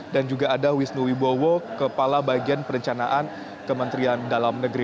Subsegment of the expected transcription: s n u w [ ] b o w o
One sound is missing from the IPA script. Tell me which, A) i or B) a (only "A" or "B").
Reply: A